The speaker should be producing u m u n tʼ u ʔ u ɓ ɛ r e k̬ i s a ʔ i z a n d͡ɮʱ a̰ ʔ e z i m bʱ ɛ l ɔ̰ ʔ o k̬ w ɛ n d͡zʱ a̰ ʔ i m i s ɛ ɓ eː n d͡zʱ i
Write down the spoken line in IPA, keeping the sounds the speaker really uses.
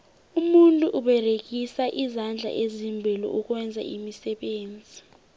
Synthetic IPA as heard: u m u n tʼ u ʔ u ɓ ɛ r e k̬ i s a ʔ i z a n d͡ɮʱ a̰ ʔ e z i m bʱ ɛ l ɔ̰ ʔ u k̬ w ɛ n d͡zʱ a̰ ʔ i m i s ɛ ɓ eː n d͡zʱ i